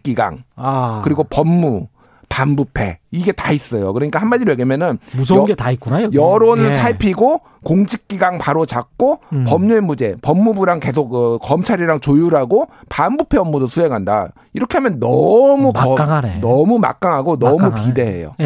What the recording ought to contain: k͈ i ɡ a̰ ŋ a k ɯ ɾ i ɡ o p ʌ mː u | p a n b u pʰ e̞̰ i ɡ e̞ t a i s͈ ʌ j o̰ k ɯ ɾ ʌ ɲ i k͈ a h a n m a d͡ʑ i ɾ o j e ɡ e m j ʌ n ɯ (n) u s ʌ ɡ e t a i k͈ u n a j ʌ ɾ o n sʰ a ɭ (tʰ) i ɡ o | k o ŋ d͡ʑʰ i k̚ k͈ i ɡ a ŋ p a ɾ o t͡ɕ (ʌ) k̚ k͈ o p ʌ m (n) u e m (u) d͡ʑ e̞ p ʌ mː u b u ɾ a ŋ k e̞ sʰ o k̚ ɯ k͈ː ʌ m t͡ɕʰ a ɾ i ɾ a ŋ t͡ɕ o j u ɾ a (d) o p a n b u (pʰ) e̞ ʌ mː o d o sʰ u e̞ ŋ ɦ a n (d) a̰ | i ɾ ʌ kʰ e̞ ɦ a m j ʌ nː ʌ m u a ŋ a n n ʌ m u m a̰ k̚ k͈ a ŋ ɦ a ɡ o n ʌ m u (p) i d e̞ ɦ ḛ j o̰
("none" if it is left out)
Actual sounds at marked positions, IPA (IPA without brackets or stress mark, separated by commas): n, pʰ, a, ɲ, u, ɡ, pʰ, d, p